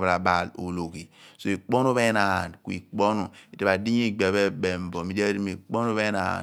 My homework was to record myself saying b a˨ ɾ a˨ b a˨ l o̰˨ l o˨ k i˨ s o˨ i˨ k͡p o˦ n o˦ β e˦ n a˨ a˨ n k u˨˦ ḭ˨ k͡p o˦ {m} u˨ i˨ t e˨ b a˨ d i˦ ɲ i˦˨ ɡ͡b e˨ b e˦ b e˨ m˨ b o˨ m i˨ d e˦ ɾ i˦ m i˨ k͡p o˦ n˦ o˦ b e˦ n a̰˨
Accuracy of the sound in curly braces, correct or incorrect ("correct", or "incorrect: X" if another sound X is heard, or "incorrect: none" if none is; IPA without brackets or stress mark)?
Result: incorrect: n